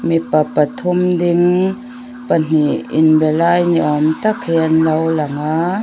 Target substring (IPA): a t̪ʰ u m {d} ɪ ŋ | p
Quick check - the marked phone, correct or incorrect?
correct